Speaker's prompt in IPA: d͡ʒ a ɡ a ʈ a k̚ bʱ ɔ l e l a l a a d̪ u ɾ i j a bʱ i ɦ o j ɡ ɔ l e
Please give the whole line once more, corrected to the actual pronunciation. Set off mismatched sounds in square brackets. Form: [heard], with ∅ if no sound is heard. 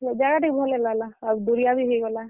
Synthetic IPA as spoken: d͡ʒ a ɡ a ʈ [i] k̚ bʱ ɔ l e l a l a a d̪ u ɾ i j a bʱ i ɦ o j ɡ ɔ l [a]